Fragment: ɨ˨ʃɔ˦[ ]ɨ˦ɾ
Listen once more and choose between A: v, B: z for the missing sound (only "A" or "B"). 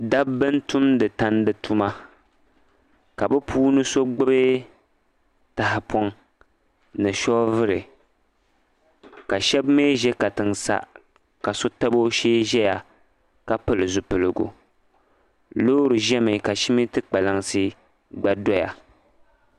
A